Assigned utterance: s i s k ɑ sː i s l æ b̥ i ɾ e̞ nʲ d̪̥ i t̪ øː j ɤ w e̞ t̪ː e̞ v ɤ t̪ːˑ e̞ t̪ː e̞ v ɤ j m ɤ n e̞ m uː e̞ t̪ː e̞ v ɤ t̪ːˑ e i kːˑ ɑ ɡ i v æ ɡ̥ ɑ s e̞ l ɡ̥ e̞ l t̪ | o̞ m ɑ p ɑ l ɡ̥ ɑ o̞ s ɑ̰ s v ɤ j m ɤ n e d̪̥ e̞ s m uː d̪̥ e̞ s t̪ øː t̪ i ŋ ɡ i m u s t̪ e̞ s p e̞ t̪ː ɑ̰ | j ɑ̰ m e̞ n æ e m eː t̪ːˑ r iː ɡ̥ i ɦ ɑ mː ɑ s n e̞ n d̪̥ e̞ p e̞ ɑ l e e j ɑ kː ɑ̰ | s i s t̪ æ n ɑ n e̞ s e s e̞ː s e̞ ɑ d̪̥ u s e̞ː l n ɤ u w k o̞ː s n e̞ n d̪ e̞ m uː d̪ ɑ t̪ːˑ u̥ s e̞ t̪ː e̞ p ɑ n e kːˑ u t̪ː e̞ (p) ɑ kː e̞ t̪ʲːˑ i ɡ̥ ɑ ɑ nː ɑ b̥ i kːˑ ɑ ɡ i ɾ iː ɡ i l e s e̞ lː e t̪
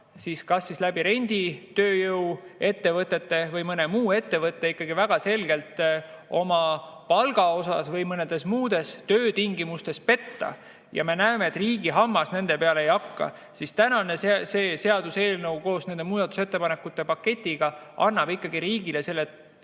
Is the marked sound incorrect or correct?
correct